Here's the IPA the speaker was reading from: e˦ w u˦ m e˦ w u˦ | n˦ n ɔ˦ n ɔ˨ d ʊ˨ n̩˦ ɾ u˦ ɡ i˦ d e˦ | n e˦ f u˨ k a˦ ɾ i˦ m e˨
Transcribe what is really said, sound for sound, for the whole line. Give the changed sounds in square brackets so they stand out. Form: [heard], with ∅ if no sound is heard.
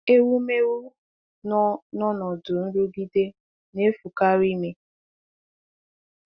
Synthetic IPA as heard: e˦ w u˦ m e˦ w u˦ | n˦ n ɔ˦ n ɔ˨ d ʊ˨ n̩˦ ɾ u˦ ɡ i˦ d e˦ | n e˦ f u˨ k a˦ ɾ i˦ m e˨